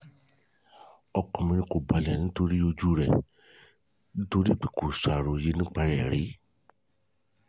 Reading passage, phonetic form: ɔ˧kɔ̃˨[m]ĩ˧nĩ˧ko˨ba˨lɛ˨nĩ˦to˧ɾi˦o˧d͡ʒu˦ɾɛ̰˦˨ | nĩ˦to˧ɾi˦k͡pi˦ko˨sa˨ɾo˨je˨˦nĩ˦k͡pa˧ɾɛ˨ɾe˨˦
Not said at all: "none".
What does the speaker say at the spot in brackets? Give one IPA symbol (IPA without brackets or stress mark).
m